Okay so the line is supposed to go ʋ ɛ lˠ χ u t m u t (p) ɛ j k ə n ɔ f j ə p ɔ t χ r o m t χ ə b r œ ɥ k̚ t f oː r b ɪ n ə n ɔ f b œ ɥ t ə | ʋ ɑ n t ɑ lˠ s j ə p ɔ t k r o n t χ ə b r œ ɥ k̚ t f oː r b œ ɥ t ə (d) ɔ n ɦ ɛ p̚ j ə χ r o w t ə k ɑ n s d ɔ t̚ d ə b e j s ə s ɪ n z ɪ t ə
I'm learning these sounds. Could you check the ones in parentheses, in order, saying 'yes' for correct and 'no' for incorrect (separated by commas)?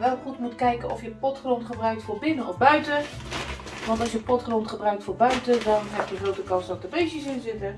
no, yes